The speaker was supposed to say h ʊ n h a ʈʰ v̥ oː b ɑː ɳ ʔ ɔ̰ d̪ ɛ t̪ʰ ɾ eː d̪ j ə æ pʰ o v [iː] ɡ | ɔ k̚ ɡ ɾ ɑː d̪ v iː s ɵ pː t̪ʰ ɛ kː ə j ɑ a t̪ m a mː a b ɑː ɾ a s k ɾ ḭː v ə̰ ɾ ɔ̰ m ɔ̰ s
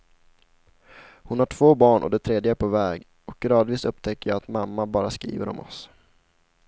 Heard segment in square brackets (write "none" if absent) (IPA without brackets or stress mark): ɛː